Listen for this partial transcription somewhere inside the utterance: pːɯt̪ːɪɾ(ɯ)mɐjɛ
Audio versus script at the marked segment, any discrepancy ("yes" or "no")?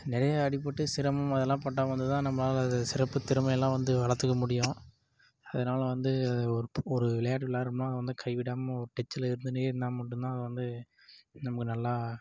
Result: no